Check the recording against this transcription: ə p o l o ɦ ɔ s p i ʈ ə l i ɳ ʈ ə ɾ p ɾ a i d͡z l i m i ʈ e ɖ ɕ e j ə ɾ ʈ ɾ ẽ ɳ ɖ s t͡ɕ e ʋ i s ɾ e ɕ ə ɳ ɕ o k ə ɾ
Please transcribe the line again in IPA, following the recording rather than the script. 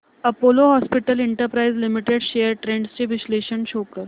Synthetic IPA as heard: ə p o l o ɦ ɔ s p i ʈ ə l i ɳ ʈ ə ɾ p ɾ a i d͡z l i m i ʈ e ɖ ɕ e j ə ɾ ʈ ɾ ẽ ɳ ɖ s t͡ɕ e ʋ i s l e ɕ ə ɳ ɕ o k ə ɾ